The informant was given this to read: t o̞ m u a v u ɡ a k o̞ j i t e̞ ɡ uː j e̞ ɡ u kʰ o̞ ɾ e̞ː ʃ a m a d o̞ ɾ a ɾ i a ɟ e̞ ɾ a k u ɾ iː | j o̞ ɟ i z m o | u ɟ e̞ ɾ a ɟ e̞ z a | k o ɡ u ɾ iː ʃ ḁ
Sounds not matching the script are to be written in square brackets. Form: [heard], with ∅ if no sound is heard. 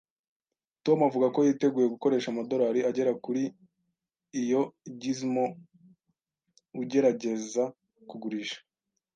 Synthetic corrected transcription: t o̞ m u a v u ɡ a k o̞ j i t e̞ ɡ uː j e̞ ɡ u [k] o̞ ɾ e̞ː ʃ a m a d o̞ ɾ a ɾ i a ɟ e̞ ɾ a k u ɾ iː | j o̞ ɟ i z m o | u ɟ e̞ ɾ a ɟ e̞ z a | k [u] ɡ u ɾ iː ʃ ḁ